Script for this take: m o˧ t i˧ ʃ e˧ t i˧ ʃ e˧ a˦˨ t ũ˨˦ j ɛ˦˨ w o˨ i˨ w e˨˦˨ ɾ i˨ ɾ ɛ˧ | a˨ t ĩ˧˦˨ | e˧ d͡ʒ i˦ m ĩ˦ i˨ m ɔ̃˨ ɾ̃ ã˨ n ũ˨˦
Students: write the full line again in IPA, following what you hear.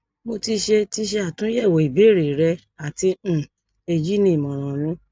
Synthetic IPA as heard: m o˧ t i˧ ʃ e˧ t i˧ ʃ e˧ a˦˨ t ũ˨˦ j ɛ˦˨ w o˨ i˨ b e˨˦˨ ɾ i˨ ɾ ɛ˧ | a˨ t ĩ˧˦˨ | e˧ d͡ʒ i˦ n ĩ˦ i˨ m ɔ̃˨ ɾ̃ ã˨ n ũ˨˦